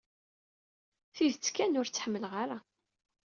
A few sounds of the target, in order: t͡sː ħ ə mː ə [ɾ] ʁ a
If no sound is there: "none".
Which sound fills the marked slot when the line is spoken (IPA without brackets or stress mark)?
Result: l